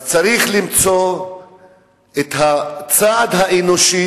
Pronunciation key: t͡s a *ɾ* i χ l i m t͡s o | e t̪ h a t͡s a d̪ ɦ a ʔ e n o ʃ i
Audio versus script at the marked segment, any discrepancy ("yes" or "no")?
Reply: no